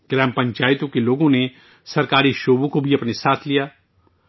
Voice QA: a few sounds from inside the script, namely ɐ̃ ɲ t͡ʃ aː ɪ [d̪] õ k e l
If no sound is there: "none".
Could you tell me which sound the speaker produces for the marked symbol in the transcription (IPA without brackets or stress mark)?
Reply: t̪